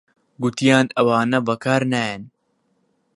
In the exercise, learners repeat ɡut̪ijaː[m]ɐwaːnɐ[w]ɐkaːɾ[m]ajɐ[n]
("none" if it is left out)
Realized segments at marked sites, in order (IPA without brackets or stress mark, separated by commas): n, b, n, n